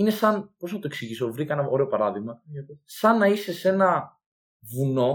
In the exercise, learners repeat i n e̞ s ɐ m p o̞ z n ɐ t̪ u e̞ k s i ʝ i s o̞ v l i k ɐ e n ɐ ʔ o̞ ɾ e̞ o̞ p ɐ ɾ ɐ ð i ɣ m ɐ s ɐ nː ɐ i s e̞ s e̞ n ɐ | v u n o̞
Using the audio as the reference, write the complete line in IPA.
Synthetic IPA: i n e̞ s ɐ n p o̞ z n ɐ t̪ o e̞ k s i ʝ i s o̞ v ɾ i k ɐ e n ɐ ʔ o̞ ɾ e̞ o̞ p ɐ ɾ ɐ ð i ɣ m ɐ s ɐ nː ɐ i s e̞ s e̞ n ɐ | v u n o̞